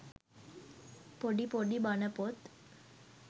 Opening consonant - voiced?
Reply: no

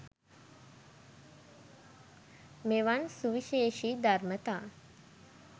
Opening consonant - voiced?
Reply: yes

